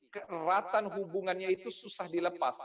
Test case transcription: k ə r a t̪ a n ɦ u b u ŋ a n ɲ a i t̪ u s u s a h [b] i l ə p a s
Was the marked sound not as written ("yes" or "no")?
yes